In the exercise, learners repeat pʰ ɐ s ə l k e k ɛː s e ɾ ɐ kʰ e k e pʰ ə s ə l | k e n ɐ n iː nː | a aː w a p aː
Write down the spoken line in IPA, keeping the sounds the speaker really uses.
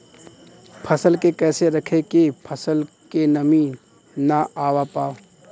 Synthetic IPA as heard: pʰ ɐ s ə l k e k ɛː s e ɾ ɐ kʰ e k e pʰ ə s ə l | k e n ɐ m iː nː | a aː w a p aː